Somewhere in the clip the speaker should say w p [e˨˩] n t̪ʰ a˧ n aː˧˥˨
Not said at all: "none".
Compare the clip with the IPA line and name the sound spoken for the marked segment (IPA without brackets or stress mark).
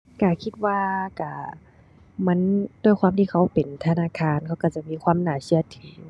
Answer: e˨˩